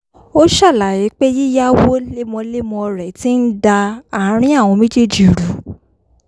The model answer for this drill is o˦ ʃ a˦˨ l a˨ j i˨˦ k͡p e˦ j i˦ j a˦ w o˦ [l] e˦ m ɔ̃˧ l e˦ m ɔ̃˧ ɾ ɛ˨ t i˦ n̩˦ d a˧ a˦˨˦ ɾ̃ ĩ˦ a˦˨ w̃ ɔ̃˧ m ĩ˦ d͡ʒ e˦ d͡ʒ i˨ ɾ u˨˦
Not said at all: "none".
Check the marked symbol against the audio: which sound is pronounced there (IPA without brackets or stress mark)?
l